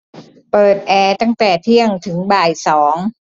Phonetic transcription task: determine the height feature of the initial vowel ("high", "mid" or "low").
mid